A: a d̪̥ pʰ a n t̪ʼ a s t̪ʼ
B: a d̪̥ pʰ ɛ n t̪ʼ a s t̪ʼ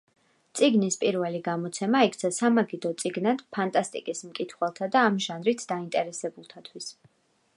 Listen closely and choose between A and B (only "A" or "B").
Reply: A